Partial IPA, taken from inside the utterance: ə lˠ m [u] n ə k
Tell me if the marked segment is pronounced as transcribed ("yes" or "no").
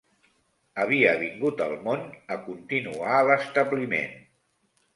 no